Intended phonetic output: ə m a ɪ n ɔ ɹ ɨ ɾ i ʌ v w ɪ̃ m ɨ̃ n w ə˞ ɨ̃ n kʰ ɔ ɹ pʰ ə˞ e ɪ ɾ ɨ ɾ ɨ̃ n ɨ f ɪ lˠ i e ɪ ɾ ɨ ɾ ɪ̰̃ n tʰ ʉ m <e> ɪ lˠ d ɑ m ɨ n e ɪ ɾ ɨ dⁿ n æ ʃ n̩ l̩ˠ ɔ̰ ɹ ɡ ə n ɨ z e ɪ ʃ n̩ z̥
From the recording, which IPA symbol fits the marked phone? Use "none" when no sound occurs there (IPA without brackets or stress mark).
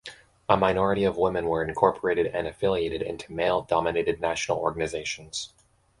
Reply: e